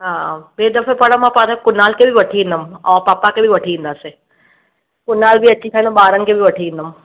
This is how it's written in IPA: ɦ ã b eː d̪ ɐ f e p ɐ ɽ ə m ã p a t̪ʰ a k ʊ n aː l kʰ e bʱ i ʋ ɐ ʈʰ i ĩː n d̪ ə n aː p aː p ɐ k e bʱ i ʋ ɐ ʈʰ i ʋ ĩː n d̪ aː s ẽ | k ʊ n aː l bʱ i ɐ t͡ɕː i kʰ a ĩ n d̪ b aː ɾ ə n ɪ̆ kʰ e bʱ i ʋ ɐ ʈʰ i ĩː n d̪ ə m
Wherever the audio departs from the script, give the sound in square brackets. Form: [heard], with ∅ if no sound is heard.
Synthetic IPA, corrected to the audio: ɦ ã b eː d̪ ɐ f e p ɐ ɽ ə m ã p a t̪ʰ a k ʊ n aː l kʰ e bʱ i ʋ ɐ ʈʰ i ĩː n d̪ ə [m] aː p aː p [a] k e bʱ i ʋ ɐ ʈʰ i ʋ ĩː n d̪ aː s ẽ | k ʊ n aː l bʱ i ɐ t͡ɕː i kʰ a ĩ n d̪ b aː ɾ ə n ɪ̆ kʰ e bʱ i ʋ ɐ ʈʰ i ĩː n d̪ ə m